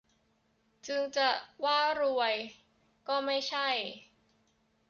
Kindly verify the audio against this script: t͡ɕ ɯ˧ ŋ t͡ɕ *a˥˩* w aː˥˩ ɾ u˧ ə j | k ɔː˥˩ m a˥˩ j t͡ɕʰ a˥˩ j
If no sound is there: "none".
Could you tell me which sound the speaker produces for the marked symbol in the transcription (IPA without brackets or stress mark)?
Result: a˨˩